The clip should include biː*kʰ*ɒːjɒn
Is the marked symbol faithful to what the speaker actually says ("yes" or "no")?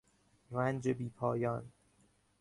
no